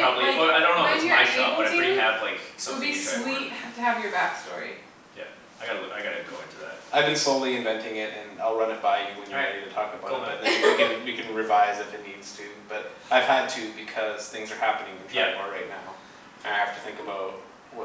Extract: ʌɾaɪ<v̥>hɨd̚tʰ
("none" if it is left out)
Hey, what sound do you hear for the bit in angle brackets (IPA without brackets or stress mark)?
v̥